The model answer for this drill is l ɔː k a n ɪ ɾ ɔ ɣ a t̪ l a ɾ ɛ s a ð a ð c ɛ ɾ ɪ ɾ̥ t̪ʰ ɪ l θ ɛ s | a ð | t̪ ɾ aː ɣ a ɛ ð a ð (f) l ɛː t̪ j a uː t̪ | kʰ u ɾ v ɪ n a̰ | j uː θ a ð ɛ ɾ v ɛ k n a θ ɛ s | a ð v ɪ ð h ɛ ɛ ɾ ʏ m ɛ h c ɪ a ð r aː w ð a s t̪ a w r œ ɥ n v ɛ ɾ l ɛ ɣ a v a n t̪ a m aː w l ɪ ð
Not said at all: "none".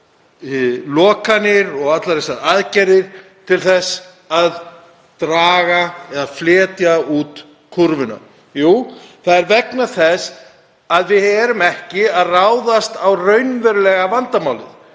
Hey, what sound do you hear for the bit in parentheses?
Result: f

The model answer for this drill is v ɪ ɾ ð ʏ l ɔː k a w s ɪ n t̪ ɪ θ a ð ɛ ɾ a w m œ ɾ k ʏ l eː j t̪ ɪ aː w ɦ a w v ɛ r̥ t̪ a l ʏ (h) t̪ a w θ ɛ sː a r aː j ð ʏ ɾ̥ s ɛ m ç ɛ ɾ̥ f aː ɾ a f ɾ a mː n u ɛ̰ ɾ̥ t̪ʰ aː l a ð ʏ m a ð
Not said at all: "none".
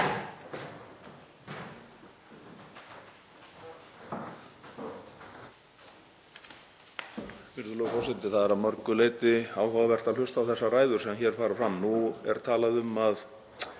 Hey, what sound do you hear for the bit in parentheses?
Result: s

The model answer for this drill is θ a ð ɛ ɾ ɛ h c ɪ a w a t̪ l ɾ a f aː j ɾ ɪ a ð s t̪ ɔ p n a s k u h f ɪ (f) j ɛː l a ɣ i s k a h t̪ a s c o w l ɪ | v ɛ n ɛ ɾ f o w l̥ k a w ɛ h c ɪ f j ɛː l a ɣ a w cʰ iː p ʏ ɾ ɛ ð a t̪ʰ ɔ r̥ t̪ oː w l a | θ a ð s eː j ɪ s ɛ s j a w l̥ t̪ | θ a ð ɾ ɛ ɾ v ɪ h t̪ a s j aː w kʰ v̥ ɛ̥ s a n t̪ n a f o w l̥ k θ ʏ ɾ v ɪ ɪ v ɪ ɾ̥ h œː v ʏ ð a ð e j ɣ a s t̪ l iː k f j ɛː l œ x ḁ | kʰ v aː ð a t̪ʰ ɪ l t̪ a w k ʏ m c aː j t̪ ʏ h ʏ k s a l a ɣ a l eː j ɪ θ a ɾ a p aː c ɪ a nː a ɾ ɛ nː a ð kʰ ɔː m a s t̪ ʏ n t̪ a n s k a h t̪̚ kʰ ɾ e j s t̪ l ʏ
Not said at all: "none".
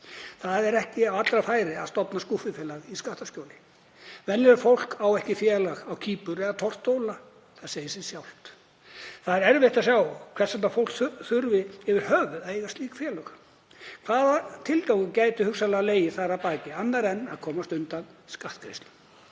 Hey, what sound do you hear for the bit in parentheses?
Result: f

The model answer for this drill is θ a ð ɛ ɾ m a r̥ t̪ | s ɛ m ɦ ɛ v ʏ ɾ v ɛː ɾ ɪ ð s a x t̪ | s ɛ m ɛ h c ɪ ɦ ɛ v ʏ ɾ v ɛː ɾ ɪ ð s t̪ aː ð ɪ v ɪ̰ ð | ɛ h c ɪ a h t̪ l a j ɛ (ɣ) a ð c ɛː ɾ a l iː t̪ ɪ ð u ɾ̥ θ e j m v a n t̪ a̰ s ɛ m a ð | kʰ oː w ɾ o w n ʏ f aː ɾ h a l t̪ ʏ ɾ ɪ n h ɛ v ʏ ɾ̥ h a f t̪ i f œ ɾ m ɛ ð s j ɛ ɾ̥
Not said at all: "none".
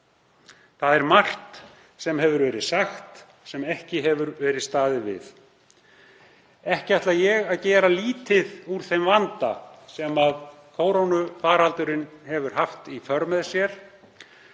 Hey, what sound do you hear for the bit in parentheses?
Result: ɣ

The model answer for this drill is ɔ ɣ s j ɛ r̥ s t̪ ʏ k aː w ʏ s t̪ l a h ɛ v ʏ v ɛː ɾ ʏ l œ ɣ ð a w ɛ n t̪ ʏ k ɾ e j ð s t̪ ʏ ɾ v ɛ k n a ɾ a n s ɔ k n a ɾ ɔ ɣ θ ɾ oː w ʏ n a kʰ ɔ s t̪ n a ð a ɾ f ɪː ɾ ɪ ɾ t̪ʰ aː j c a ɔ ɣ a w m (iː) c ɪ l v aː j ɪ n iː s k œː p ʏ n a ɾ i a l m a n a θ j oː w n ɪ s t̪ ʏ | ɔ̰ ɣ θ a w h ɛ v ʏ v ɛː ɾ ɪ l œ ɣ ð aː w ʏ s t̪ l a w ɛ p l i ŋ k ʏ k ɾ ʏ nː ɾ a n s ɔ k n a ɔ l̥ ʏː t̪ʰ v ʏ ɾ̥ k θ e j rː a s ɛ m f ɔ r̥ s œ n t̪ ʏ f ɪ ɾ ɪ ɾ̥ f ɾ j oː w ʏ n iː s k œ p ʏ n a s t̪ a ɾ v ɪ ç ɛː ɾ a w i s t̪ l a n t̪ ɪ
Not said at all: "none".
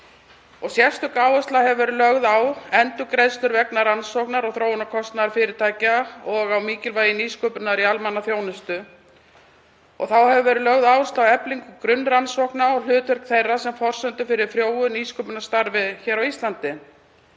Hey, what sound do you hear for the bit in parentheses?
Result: iː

